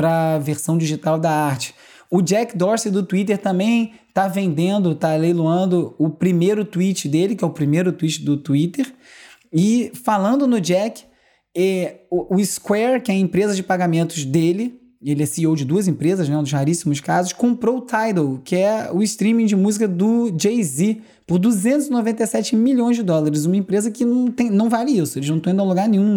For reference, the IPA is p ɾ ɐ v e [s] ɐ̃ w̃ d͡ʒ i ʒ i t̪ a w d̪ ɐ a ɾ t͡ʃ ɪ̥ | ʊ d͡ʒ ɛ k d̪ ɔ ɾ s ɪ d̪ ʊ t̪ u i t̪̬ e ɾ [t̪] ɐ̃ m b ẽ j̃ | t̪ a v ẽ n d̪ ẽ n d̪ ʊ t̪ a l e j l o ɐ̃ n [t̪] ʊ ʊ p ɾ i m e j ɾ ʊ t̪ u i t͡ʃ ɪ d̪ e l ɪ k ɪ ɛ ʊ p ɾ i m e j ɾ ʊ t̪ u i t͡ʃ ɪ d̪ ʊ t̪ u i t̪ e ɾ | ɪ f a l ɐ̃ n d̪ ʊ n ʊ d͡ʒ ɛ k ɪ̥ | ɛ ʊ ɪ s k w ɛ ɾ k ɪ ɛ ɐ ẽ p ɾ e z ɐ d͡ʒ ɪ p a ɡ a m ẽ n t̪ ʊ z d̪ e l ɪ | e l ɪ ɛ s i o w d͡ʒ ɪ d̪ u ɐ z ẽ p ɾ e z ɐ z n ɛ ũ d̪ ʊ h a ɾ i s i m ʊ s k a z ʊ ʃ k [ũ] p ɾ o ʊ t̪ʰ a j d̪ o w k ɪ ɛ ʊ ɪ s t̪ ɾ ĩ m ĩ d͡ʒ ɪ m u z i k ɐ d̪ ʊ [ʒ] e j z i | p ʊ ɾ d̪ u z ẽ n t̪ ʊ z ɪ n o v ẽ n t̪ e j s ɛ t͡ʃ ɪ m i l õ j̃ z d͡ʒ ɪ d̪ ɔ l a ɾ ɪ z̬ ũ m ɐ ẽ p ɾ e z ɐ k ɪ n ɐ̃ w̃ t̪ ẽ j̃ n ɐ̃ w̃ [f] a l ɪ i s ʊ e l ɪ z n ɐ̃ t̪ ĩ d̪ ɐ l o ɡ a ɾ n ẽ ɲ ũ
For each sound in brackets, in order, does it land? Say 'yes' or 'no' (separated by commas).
yes, yes, no, no, no, no